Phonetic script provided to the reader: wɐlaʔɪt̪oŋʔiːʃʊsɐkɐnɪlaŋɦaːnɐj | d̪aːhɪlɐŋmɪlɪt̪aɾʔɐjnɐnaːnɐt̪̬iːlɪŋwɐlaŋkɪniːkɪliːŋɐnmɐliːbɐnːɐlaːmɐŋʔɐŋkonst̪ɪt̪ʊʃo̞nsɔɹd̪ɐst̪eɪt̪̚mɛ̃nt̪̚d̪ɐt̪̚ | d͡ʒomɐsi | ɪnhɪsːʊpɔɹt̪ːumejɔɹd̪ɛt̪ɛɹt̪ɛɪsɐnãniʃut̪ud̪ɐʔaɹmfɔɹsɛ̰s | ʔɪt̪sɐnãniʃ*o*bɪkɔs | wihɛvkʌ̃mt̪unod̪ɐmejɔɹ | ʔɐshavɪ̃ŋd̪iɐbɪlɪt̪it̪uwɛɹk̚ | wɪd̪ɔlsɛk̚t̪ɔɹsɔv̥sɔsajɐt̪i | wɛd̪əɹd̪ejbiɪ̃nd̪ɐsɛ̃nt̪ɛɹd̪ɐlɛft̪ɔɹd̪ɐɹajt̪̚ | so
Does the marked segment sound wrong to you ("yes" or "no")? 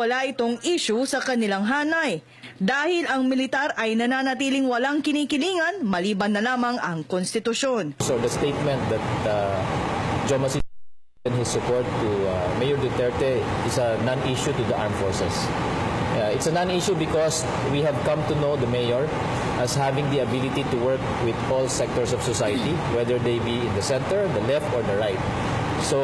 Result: yes